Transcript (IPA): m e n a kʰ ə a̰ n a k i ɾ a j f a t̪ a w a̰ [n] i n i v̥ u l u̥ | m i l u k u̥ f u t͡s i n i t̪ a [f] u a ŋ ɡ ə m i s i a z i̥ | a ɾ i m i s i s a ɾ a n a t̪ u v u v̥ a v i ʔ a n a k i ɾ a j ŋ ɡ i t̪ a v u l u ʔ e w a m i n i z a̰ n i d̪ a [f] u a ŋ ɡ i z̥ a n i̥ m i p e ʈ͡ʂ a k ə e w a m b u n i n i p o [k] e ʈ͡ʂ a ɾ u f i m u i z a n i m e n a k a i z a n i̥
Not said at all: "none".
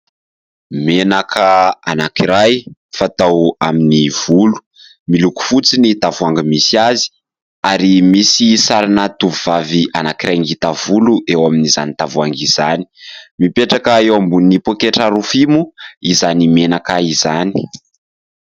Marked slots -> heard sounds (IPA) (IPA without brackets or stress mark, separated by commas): m, v, v, k